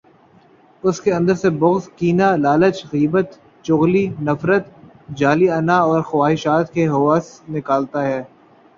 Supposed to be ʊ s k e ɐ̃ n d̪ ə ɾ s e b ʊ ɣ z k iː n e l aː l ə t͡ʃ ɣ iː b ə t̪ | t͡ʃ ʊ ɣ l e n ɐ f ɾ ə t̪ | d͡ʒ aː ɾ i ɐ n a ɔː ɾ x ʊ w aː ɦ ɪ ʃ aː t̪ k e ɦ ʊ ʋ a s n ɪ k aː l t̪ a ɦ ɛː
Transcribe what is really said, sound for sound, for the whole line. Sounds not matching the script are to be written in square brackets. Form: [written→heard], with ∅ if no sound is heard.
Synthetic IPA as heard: ʊ s k e ɐ̃ n d̪ ə ɾ s e b ʊ ɣ z k iː n [e→a] l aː l ə t͡ʃ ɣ iː b ə t̪ | t͡ʃ ʊ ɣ l [e→i] n ɐ f ɾ ə t̪ | d͡ʒ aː [ɾ→l] i ɐ n a ɔː ɾ x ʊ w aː ɦ ɪ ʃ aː t̪ k e ɦ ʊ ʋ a s n ɪ k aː l t̪ a ɦ ɛː